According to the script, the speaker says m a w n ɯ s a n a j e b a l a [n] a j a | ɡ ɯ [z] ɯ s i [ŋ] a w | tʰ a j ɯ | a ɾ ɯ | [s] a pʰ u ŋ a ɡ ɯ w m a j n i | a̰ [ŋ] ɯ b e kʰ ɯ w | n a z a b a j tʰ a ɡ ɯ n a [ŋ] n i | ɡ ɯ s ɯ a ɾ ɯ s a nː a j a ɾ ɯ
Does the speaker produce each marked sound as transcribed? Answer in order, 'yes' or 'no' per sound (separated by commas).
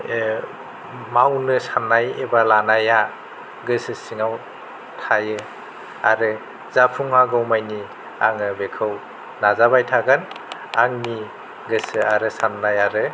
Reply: yes, no, yes, no, yes, yes